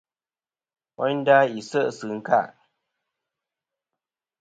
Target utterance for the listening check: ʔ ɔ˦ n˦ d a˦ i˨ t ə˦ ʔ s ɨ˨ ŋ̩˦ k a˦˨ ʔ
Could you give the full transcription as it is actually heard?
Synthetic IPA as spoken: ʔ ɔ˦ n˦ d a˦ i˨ s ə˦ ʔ s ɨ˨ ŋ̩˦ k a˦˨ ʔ

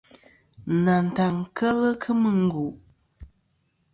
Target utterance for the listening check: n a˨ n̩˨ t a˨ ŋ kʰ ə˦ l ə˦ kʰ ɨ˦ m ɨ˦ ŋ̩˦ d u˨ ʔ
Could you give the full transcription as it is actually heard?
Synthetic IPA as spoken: n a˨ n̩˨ t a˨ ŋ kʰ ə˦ l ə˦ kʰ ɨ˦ m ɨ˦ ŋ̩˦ ɡ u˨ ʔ

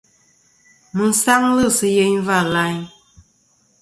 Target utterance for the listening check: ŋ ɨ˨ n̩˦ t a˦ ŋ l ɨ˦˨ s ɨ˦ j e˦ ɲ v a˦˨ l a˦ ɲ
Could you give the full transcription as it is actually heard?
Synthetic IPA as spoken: m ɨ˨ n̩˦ s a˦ ŋ l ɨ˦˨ s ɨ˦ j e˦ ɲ v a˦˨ l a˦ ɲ

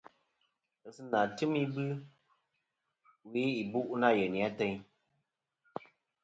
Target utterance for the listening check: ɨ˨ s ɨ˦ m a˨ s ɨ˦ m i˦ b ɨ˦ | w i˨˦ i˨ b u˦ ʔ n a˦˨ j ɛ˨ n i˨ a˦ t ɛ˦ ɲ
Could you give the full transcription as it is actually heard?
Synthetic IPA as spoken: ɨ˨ s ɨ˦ n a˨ t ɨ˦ m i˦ b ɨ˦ | w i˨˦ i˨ b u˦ ʔ n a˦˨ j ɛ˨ n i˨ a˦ t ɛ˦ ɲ

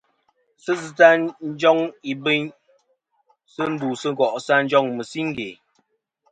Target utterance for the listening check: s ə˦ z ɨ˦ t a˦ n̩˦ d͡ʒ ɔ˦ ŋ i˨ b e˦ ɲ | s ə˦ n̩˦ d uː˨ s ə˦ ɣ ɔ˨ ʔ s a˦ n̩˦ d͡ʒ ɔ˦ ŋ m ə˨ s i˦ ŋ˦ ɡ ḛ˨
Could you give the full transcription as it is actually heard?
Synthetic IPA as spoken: s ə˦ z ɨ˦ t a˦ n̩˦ d͡ʒ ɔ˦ ŋ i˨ b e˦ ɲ | s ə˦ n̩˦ d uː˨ s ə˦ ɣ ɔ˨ ʔ s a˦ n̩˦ d͡ʒ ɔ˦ ŋ m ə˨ s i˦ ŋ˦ ɡ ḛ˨

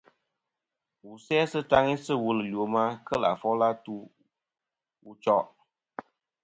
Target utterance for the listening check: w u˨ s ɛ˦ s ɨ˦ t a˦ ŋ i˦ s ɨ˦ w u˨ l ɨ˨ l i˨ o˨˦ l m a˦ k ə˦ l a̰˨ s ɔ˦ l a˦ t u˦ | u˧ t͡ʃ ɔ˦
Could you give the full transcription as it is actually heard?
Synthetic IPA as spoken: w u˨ s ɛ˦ s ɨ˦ t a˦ ŋ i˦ s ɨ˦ w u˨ l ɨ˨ l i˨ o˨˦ m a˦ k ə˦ l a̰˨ f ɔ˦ l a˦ t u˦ | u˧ t͡ʃ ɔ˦

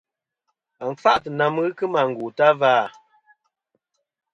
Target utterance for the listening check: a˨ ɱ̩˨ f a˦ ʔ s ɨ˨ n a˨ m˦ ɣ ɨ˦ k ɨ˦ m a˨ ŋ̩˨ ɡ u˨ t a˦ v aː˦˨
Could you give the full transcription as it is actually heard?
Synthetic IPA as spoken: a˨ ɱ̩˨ f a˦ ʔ t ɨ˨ n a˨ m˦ ɣ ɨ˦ k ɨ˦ m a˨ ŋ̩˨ ɡ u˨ t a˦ v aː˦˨

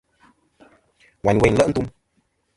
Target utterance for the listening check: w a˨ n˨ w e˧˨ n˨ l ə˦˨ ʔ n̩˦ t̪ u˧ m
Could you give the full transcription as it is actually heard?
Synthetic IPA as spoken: w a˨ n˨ w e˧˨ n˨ l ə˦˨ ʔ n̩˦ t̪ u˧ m

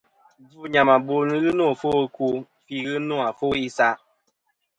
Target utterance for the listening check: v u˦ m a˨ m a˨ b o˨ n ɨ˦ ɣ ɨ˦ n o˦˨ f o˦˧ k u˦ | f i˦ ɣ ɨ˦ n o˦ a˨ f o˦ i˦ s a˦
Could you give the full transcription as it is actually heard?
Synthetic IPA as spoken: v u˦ ɲ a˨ m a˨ b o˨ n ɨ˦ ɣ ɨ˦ n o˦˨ f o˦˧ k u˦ | f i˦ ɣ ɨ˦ n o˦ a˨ f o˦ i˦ s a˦

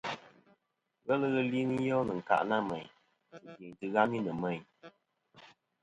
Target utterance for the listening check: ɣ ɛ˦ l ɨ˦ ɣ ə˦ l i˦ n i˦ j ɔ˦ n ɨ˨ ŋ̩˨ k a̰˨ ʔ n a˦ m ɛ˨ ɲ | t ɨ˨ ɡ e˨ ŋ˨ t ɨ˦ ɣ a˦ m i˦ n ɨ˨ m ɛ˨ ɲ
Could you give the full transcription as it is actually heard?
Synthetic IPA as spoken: ɣ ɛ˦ l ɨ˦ ɣ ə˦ l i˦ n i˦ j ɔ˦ n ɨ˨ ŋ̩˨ k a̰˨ ʔ n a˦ m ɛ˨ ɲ | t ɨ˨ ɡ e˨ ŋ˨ t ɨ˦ ɣ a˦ m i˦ n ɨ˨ m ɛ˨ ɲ

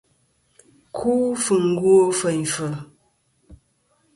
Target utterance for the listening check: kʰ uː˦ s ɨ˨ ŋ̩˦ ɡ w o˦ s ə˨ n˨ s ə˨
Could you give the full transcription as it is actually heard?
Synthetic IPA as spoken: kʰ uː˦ f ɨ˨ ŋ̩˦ ɡ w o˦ f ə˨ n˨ f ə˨

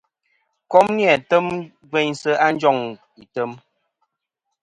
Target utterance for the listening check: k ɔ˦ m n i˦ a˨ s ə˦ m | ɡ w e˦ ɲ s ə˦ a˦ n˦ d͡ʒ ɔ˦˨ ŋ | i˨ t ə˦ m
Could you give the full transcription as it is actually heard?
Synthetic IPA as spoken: k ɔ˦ m n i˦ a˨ t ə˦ m | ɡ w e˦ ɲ s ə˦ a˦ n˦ d͡ʒ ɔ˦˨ ŋ | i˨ t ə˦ m

